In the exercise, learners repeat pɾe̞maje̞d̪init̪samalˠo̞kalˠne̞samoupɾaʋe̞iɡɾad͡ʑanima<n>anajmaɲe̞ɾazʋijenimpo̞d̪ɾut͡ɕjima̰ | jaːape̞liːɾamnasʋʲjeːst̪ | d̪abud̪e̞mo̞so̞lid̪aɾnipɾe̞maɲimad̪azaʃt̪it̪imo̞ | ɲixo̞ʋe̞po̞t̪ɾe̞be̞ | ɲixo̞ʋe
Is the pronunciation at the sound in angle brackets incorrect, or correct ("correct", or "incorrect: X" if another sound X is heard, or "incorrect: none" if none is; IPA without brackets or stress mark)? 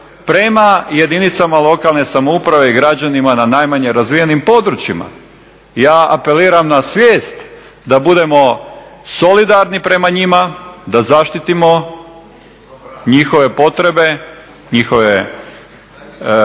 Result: correct